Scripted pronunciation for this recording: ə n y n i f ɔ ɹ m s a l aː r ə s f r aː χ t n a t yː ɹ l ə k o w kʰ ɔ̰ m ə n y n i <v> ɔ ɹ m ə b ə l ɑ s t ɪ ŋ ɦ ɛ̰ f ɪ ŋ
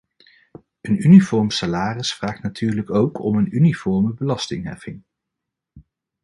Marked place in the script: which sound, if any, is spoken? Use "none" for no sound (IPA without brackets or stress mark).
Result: f